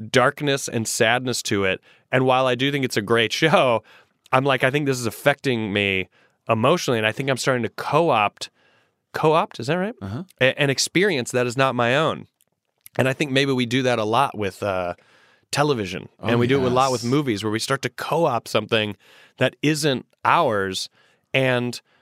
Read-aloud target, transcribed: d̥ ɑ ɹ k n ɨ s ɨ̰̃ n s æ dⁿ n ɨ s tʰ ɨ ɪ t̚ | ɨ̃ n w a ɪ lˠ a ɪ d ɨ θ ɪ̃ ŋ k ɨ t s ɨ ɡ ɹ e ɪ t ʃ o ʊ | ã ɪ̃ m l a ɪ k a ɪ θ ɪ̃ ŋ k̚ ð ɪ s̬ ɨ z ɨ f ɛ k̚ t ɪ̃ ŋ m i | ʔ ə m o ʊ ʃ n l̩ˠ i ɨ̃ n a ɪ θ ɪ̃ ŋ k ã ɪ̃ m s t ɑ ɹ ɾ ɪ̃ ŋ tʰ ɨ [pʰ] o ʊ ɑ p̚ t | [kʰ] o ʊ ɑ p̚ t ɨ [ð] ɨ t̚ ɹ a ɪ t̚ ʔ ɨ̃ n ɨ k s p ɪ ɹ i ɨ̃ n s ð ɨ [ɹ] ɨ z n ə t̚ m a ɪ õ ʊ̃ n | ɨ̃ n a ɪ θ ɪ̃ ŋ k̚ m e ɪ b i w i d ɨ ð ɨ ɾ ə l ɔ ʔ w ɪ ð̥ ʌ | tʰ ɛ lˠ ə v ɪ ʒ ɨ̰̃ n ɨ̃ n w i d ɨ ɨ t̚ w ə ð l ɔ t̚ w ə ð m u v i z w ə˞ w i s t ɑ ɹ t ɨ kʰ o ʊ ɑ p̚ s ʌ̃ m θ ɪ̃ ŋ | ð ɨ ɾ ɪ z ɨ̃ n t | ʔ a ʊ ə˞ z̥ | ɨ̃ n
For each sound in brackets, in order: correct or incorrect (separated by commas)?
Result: incorrect, correct, incorrect, incorrect